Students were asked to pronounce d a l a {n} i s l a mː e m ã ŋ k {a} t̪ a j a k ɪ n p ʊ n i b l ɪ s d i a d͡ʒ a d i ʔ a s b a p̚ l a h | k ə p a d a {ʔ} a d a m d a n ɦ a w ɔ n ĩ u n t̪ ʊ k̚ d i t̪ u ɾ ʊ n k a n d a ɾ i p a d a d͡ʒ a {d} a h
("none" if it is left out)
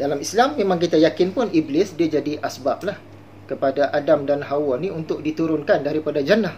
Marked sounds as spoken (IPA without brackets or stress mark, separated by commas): m, i, ʔ, n